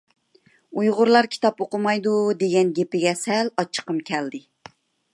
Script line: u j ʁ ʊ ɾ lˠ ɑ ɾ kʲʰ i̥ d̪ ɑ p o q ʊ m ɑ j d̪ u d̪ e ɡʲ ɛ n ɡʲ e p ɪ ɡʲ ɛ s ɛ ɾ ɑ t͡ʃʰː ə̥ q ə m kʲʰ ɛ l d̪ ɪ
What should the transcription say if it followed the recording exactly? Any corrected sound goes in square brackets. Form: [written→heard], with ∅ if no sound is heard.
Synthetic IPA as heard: u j ʁ ʊ ɾ lˠ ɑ ɾ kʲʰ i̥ [d̪→t̪] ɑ p o q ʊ m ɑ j d̪ u d̪ e ɡʲ ɛ n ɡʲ e p ɪ ɡʲ ɛ s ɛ [ɾ→l] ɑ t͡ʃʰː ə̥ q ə m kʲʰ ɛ l d̪ ɪ